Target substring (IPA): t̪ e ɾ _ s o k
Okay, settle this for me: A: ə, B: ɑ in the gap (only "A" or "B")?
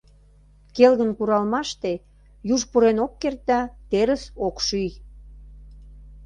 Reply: A